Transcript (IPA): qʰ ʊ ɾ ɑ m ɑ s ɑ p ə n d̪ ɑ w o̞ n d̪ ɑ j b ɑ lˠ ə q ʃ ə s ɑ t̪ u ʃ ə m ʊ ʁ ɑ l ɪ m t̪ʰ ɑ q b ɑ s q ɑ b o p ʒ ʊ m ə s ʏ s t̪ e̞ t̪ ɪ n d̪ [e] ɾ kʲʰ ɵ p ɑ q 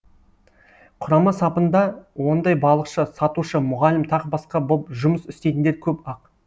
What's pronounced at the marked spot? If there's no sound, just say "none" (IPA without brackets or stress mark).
e